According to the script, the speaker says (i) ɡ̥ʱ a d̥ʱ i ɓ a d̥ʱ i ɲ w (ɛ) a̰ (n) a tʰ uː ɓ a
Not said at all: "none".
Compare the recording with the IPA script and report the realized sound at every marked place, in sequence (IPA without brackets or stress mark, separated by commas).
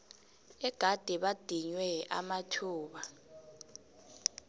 ɛ, ɛ, m